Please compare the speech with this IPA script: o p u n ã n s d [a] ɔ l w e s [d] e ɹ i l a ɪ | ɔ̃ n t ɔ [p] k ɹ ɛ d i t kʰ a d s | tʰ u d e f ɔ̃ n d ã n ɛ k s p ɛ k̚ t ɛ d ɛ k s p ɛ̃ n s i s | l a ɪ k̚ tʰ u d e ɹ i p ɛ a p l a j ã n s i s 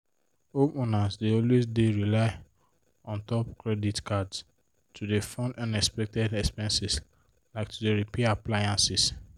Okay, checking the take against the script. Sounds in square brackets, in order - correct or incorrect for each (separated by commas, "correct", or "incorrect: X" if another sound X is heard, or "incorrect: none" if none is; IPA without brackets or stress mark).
incorrect: e, correct, correct